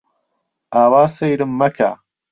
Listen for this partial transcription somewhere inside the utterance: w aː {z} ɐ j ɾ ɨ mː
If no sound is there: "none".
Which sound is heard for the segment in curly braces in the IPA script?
s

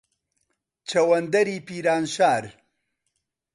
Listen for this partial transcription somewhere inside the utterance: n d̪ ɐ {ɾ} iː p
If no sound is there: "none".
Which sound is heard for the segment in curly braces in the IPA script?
ɾ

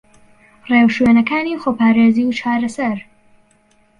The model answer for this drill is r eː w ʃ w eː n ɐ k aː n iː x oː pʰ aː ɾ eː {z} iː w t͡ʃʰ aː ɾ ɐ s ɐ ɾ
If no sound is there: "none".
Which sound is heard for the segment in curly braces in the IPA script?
z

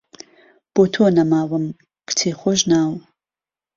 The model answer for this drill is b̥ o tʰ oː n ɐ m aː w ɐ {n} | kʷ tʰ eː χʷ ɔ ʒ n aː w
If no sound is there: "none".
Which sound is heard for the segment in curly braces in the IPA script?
m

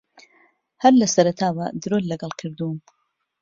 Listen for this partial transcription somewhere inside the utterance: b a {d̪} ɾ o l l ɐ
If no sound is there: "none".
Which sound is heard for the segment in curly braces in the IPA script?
d̪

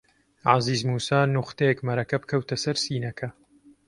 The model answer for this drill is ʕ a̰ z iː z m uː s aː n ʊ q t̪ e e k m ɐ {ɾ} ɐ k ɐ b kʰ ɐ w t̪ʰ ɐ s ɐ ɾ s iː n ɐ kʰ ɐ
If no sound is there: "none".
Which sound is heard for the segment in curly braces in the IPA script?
ɾ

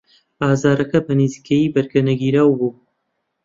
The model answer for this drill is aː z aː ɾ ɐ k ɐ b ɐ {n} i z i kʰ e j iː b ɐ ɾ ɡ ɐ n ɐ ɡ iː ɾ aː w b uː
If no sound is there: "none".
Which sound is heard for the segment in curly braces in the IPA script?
n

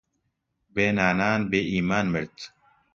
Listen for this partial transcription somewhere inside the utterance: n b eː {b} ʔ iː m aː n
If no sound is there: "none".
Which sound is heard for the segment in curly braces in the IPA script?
none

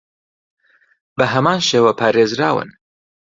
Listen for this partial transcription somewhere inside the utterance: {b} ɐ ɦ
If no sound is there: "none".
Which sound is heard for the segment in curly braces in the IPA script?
b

